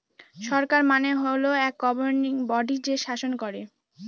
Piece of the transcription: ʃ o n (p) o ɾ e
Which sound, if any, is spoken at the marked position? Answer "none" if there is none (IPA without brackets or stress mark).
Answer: k